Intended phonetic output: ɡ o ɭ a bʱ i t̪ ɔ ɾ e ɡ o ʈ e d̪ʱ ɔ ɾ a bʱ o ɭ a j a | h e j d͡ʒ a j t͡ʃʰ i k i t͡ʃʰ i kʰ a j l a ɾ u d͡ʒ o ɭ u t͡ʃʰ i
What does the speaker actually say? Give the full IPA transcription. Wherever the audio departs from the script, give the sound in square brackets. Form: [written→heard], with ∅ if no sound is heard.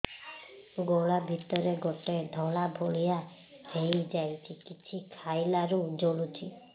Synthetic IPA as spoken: ɡ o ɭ a bʱ i t̪ ɔ ɾ e ɡ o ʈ e d̪ʱ ɔ [ɾ→ɭ] a bʱ o ɭ [a→i] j a | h e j d͡ʒ a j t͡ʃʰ i k i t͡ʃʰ i kʰ a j l a ɾ u d͡ʒ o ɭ u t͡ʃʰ i

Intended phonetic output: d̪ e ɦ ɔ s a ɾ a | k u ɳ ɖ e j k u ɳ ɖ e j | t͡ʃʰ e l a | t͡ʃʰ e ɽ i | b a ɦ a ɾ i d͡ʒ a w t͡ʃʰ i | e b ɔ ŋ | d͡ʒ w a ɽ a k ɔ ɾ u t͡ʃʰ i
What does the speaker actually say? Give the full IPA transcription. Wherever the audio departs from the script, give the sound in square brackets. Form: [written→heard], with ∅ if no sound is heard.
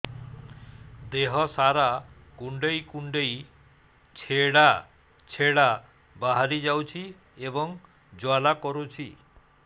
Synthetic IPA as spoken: d̪ e ɦ ɔ s a ɾ a | k u ɳ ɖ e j k u ɳ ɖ e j | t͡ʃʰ e [l→ɽ] a | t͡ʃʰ e ɽ [i→a] | b a ɦ a ɾ i d͡ʒ a w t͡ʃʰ i | e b ɔ ŋ | d͡ʒ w a [ɽ→l] a k ɔ ɾ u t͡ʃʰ i

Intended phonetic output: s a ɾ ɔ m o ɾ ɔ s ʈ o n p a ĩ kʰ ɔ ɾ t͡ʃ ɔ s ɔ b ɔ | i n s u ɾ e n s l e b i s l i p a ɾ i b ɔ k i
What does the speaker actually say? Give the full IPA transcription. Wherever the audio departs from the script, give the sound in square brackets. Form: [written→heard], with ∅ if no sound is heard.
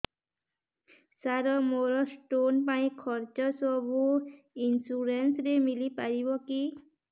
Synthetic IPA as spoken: s a ɾ ɔ m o ɾ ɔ s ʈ o n p a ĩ kʰ ɔ ɾ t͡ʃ ɔ s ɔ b [ɔ→u] | i n s u ɾ e n s [l→ɾ] e [b→m] i [s→∅] l i p a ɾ i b ɔ k i

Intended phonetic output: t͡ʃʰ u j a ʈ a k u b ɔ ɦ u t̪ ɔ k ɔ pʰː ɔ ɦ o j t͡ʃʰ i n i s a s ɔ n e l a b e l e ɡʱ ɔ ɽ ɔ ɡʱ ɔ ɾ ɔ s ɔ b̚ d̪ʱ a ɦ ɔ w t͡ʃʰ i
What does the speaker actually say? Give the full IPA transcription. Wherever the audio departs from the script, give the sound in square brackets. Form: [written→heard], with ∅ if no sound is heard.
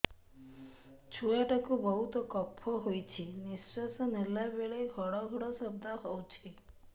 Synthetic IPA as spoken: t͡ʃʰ u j a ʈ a k u b ɔ ɦ u t̪ ɔ k ɔ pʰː ɔ ɦ o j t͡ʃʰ i n i s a s ɔ n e l a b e [l→ɭ] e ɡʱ ɔ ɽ ɔ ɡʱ ɔ [ɾ→ɽ] ɔ s ɔ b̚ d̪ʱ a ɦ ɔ w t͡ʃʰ i

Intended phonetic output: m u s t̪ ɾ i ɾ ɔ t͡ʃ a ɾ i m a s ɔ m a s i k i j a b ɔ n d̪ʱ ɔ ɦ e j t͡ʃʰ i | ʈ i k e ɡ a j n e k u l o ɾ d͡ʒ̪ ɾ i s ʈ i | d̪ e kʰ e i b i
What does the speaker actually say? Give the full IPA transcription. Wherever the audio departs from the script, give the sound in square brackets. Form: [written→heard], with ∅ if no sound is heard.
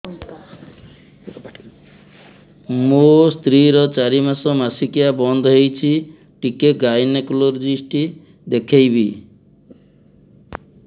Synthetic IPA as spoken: m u s t̪ ɾ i ɾ ɔ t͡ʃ a ɾ i m a s ɔ m a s i k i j a b ɔ n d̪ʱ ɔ ɦ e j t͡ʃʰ i | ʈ i k e ɡ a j n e k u l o ɾ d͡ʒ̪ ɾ i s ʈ i | d̪ e kʰ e [i→j] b i

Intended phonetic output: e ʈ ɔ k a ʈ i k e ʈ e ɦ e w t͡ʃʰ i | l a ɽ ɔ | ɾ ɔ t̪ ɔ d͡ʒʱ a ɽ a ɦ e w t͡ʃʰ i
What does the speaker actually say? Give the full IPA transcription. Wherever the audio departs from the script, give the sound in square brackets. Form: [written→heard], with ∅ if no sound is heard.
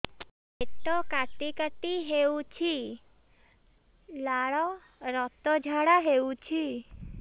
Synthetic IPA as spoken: e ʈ ɔ k a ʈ i k [e→a] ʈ [e→i] ɦ e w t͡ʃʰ i | l a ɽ ɔ | ɾ ɔ t̪ ɔ d͡ʒʱ a ɽ a ɦ e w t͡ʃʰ i

